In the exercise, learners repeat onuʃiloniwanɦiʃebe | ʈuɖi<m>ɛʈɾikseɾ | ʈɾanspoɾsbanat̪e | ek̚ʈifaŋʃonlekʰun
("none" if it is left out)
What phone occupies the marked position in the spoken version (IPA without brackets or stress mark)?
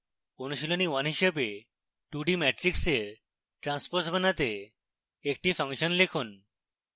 m